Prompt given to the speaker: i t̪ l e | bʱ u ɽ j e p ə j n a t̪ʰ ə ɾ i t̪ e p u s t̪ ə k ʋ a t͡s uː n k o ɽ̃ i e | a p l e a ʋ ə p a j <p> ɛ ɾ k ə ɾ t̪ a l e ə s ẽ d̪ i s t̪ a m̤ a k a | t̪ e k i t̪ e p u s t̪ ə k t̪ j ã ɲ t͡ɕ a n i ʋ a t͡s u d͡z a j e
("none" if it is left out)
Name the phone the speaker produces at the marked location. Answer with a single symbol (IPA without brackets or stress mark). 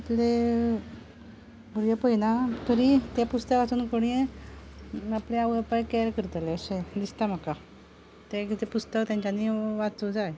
k